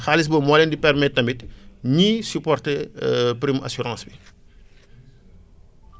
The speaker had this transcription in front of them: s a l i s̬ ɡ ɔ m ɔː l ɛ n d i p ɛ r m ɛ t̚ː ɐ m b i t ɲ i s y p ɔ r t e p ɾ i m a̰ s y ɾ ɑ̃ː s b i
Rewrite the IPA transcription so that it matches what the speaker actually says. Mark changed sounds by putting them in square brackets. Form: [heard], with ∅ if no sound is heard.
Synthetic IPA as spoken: [x] a l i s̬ [b] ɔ m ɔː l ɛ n d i p ɛ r m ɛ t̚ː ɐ m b i t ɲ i s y p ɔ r t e p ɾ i m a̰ s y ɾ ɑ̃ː s b i